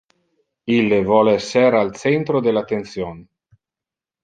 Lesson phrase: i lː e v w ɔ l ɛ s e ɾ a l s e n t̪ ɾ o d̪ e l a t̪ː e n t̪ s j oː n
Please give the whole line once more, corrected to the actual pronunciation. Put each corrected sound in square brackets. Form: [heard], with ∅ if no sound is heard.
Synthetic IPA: i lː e v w ɔ l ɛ s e ɾ a l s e n t̪ ɾ o d̪ e l a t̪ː e n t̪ s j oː n